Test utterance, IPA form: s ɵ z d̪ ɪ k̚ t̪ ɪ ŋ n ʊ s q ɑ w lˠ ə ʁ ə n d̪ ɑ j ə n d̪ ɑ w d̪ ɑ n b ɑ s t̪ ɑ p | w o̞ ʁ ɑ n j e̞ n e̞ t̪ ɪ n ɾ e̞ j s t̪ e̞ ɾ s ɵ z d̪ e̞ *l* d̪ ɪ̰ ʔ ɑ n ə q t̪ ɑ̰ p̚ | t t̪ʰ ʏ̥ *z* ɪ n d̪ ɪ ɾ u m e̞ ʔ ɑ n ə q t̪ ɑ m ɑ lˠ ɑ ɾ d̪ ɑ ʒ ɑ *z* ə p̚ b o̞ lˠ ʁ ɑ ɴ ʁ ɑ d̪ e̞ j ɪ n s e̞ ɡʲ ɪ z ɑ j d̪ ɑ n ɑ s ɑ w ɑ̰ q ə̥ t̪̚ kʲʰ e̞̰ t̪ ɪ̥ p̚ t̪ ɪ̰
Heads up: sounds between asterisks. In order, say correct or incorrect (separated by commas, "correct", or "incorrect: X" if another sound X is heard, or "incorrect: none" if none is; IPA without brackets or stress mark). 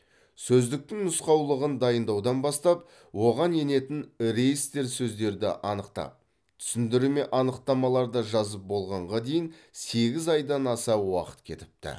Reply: incorrect: ɾ, incorrect: s, correct